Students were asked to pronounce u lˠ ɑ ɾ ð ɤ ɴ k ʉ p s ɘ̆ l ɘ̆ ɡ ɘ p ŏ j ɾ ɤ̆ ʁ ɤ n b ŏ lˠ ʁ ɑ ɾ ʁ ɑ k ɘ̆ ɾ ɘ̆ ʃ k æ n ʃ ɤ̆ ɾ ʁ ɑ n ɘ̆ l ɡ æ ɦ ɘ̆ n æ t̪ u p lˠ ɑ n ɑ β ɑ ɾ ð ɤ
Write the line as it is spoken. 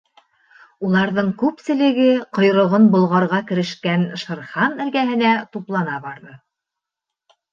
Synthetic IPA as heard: u lˠ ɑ ɾ ð ɤ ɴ k ʉ p s ɘ̆ l ɘ̆ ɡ ɘ q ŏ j ɾ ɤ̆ ʁ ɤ n b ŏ lˠ ʁ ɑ ɾ ʁ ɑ k ɘ̆ ɾ ɘ̆ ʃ k æ n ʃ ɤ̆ ɾ χ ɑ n ɘ̆ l ɡ æ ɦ ɘ̆ n æ t̪ u p lˠ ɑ n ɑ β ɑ ɾ ð ɤ